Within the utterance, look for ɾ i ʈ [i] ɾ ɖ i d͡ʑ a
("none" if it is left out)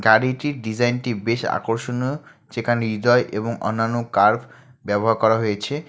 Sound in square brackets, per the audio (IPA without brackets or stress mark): i